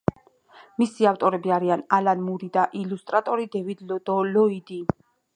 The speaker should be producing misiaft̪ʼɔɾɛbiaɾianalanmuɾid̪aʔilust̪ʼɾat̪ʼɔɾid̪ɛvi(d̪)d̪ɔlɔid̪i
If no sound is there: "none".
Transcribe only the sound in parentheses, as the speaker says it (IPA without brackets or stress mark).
d̪